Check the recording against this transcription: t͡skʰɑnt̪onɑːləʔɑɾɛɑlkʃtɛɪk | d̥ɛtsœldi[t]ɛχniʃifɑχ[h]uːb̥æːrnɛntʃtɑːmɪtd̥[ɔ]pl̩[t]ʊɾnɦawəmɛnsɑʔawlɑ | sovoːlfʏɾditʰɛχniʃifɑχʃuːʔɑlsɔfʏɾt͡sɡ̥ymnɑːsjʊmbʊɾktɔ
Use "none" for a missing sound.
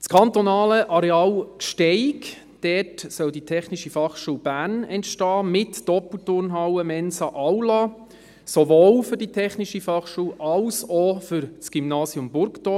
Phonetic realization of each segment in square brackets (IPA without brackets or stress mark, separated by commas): tʰ, ʃ, ɔ, t